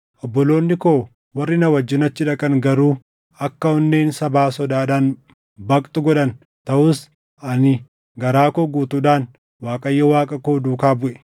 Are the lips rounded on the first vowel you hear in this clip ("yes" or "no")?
yes